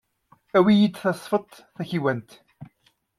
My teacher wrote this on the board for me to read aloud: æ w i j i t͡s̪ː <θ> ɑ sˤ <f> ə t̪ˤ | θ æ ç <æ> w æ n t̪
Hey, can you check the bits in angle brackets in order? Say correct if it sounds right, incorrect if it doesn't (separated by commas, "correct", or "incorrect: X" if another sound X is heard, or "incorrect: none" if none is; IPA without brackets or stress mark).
correct, correct, incorrect: i